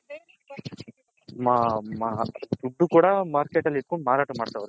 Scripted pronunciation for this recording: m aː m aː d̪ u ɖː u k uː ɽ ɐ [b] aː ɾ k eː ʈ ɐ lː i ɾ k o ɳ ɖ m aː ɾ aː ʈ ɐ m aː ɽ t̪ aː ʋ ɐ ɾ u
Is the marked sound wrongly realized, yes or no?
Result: yes